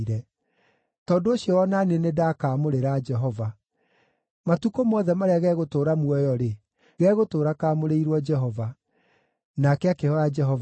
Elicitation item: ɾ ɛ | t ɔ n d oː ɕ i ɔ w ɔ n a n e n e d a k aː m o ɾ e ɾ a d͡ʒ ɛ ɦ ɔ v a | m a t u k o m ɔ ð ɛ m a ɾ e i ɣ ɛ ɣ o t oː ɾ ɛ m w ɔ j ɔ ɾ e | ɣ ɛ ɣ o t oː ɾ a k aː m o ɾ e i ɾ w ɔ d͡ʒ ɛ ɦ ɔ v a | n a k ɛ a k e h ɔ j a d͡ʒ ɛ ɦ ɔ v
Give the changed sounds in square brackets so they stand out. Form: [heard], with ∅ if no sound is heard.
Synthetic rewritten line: ɾ ɛ | t ɔ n d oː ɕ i ɔ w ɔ n a n e n e d a k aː m o ɾ e ɾ a d͡ʒ ɛ ɦ ɔ v a | m a t u k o m ɔ ð ɛ m a ɾ e [a] ɣ ɛ ɣ o t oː ɾ [a] m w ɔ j ɔ ɾ e | ɣ ɛ ɣ o t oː ɾ a k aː m o ɾ e i ɾ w ɔ d͡ʒ ɛ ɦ ɔ v a | n a k ɛ a k e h ɔ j a d͡ʒ ɛ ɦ ɔ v